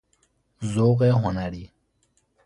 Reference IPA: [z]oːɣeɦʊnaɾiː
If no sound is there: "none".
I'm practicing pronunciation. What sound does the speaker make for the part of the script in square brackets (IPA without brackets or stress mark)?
z